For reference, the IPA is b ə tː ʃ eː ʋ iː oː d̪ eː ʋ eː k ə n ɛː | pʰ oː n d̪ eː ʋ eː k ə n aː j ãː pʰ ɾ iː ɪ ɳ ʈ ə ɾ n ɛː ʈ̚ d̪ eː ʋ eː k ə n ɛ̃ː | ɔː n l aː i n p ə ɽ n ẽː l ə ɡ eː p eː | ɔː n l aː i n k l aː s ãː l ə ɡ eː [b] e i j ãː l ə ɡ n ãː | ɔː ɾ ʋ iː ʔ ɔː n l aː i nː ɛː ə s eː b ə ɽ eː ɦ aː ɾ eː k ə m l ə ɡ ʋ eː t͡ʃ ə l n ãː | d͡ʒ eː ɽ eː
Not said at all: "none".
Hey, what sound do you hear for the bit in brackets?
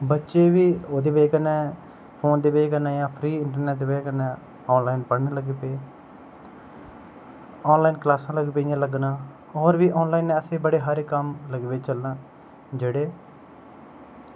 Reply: p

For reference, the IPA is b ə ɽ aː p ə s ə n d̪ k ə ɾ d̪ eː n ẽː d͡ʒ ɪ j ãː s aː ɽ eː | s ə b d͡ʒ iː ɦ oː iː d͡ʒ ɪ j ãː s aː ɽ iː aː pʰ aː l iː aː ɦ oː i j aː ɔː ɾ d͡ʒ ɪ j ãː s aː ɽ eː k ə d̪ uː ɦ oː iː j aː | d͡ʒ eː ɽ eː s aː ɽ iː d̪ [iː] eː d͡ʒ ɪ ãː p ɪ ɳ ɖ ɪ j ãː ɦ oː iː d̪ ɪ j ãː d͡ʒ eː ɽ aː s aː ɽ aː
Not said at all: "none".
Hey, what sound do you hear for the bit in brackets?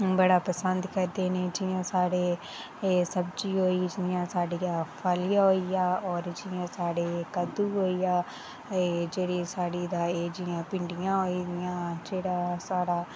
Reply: aː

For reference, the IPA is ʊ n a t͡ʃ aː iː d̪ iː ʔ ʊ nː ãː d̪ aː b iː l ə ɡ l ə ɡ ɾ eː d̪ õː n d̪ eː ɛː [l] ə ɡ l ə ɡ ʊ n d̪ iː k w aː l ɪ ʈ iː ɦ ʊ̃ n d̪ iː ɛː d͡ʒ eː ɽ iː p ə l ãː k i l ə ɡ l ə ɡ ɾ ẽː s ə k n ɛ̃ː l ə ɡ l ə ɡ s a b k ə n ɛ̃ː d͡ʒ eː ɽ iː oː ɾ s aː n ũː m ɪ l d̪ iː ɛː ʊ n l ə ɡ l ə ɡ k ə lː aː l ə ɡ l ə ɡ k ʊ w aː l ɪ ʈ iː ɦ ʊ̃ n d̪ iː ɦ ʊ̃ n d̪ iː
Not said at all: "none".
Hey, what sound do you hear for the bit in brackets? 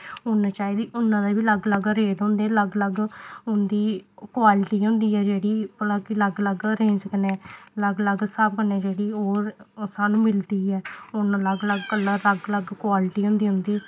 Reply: l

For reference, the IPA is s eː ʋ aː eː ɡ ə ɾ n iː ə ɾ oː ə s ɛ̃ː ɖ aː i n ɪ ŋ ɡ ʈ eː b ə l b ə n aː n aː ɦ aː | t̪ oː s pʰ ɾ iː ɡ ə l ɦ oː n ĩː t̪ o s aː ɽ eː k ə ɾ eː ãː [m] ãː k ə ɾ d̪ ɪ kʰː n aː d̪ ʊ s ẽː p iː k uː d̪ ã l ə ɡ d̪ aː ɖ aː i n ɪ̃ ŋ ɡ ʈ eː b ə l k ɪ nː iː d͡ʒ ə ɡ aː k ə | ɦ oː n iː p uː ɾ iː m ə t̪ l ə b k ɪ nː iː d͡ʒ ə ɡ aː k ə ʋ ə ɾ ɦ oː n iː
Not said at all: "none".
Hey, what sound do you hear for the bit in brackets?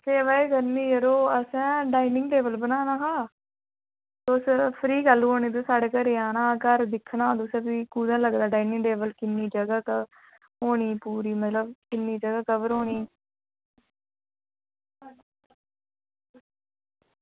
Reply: n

